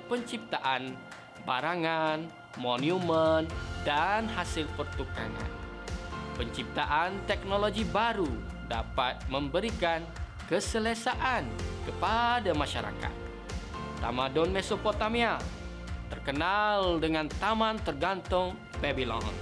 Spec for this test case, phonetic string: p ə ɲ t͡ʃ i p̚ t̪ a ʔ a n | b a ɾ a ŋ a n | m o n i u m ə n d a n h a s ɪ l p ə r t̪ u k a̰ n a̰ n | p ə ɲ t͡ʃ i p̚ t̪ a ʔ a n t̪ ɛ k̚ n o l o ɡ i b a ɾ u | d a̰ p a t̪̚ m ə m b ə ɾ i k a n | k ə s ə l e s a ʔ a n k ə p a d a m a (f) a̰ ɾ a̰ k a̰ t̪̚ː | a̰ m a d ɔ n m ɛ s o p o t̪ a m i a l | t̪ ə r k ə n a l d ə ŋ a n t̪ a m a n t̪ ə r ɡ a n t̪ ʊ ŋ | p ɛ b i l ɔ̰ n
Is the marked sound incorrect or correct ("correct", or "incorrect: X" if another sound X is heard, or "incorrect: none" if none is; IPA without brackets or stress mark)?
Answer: incorrect: ʃ